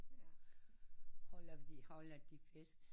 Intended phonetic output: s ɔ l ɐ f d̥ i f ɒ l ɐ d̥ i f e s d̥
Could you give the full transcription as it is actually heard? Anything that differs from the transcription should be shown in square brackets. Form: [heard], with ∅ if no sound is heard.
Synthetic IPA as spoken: [h] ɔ l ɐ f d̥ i [h] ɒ l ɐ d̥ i f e s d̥